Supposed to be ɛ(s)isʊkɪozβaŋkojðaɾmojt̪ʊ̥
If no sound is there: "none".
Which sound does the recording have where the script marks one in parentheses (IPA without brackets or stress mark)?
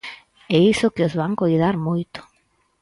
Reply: none